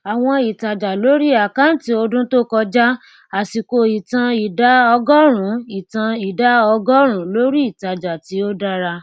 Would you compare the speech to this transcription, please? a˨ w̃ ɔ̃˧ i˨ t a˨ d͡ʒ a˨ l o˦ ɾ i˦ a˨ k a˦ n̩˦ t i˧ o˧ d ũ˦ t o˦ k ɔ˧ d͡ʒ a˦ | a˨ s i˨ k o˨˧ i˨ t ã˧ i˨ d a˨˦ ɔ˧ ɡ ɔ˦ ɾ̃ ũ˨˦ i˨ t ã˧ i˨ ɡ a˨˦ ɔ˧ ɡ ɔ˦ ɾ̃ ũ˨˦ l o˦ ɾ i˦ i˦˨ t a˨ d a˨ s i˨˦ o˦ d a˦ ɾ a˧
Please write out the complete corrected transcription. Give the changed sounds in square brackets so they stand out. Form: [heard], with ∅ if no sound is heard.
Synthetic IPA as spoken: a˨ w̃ ɔ̃˧ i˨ t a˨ d͡ʒ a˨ l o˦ ɾ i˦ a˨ k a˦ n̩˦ t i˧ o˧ d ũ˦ t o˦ k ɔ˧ d͡ʒ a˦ | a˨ s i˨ k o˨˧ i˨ t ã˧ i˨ d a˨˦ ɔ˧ ɡ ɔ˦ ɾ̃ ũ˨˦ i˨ t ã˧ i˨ [d] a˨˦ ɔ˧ ɡ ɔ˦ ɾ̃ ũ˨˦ l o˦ ɾ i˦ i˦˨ t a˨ [d͡ʒ] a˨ [t] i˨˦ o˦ d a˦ ɾ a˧